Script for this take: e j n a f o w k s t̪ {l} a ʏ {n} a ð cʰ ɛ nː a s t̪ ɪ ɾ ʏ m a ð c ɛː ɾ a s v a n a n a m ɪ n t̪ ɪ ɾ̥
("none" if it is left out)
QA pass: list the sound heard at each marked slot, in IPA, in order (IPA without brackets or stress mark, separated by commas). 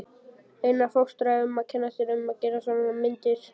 ɾ, m